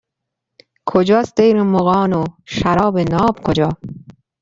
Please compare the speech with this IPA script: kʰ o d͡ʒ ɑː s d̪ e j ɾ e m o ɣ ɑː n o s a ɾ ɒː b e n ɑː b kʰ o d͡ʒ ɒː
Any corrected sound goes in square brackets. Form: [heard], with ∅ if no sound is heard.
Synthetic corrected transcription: kʰ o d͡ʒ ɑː s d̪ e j ɾ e m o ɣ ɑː n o [ʃ] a ɾ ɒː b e n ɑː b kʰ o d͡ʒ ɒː